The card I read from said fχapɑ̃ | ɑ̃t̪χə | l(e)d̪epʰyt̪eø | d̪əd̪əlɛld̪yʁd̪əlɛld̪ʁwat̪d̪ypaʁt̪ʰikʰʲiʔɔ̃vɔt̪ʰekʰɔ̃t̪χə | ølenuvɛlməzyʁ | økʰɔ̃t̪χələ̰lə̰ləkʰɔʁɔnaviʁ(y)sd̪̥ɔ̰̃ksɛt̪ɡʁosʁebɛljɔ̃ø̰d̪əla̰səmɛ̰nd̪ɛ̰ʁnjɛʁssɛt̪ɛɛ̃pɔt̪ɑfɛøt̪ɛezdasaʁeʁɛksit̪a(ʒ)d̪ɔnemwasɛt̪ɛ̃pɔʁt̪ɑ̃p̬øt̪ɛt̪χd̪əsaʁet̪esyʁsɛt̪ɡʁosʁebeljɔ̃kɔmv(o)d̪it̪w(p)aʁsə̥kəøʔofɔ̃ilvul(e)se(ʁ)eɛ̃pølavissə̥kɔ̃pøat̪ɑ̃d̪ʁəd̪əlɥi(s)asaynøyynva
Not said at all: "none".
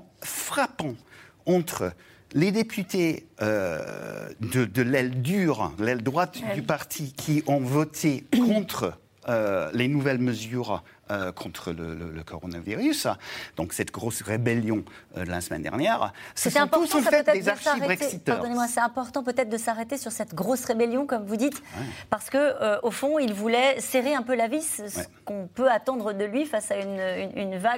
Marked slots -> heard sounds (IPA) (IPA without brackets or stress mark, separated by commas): e, y, ʁ, u, p, ɛ, ʁ, f